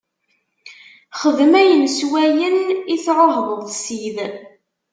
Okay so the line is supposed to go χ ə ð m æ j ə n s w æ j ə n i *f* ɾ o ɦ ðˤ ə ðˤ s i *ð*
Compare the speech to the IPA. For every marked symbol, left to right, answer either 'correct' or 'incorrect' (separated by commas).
incorrect, correct